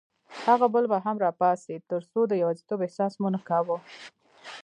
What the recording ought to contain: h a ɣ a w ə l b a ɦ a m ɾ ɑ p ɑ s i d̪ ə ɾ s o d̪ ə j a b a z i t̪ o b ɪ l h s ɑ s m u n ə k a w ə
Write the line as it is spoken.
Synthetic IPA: h a ɣ a b ə l b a ɦ a m ɾ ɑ p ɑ s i t̪ ə ɾ s o d̪ ə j a w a z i t̪ o b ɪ h s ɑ s m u n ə k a w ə